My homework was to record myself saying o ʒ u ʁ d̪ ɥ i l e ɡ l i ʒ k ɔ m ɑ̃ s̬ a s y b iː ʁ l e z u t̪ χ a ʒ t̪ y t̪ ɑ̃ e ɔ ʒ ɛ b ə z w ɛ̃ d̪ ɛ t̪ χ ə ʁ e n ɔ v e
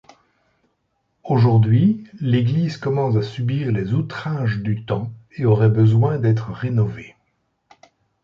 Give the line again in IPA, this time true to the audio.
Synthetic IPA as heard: o ʒ u ʁ d̪ ɥ i l e ɡ l i z k ɔ m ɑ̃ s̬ a s y b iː ʁ l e z u t̪ χ a ʒ d̪ y t̪ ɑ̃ e ɔ ʁ ɛ b ə z w ɛ̃ d̪ ɛ t̪ χ ə ʁ e n ɔ v e